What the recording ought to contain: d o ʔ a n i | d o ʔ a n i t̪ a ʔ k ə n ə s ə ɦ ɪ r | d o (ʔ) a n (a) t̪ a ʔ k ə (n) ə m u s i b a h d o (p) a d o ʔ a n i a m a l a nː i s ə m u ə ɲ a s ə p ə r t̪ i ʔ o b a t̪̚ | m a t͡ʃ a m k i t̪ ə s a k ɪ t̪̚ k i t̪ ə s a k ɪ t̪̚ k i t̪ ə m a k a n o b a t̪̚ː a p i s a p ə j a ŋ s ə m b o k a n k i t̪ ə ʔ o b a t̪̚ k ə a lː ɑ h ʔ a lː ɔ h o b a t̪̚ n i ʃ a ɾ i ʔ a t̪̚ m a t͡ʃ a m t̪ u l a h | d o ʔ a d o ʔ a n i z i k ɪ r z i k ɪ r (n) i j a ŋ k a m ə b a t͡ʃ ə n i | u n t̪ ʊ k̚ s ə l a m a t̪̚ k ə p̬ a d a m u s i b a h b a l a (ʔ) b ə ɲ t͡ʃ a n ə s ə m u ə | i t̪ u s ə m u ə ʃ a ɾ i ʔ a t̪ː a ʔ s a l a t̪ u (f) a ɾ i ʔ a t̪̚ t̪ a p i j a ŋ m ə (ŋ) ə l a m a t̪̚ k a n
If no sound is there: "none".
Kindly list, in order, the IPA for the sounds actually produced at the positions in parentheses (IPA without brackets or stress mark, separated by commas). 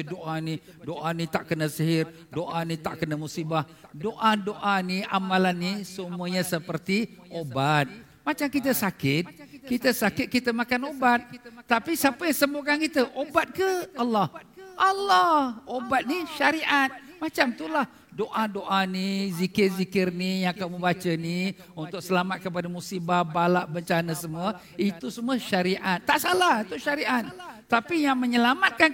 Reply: ʔ, i, n, ʔ, n, ʔ, ʃ, ɲ